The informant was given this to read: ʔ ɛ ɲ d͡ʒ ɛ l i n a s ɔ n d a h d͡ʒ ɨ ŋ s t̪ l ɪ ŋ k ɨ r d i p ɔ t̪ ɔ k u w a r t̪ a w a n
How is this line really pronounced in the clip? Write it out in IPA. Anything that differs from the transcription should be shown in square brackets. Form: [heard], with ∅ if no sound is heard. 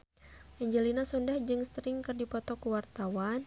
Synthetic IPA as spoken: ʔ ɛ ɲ d͡ʒ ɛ l i n a s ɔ n d a h d͡ʒ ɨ ŋ s t̪ [ɾ] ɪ ŋ k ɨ r d i p ɔ t̪ ɔ k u w a r t̪ a w a n